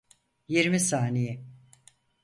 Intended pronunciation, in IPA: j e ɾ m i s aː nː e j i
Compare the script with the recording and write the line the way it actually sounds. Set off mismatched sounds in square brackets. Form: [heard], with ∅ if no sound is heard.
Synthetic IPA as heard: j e ɾ m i s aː [n] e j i